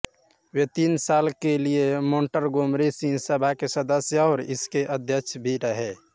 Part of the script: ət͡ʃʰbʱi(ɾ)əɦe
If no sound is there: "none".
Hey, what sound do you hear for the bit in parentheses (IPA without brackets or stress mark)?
ɾ